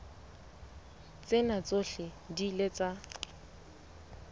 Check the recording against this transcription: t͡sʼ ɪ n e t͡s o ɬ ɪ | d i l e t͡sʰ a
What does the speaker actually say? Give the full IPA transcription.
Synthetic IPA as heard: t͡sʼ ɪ n a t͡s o ɬ ɪ | d i l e t͡s a

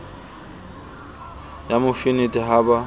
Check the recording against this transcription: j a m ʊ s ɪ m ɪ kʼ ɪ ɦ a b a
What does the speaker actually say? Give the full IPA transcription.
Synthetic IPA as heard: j a m ʊ f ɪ n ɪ tʼ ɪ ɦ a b a

